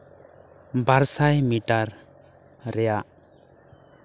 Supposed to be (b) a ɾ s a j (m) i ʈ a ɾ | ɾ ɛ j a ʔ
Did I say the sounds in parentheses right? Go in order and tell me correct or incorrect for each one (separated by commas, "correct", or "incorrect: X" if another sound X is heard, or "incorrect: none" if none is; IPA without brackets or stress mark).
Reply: correct, correct